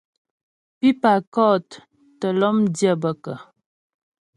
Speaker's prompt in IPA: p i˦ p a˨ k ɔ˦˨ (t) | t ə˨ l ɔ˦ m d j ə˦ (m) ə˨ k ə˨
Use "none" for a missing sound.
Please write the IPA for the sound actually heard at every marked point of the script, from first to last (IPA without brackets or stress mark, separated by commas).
t, b